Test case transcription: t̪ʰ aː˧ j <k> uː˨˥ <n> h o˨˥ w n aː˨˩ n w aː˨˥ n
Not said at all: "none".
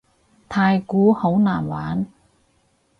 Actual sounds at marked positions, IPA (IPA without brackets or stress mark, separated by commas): k, none